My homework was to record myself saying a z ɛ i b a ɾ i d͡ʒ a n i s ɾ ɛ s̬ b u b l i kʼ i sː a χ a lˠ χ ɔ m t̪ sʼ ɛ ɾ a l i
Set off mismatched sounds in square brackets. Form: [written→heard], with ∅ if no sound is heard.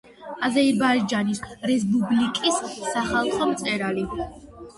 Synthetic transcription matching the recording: a z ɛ i b a ɾ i d͡ʒ a n i s ɾ ɛ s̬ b u b l i kʼ i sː a χ a lˠ χ ɔ m t̪ sʼ ɛ ɾ a l i